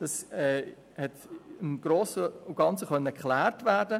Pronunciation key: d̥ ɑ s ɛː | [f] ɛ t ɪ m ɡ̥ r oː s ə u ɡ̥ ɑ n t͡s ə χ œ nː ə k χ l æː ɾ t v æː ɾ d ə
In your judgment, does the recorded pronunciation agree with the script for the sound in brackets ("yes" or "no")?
no